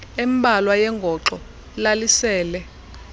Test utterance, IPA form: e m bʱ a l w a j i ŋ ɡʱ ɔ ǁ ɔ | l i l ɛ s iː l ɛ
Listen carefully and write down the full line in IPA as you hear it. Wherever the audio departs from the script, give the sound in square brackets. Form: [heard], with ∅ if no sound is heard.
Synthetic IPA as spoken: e m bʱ a l w a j [ɛ] ŋ ɡʱ ɔ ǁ ɔ | l [a] l [i] s [ɛː] l ɛ